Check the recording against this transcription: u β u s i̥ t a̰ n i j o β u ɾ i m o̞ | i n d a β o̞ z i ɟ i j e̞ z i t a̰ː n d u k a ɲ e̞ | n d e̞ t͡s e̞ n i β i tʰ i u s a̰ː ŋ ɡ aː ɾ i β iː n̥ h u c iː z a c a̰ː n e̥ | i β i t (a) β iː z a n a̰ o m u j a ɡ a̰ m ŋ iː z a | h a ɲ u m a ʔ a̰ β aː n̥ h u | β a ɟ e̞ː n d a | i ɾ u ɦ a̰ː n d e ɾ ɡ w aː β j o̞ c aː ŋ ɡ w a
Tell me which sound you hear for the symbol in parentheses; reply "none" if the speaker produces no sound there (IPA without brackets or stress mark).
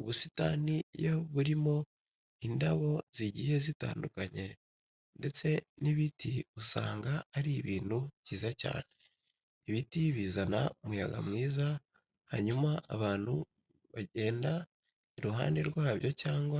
i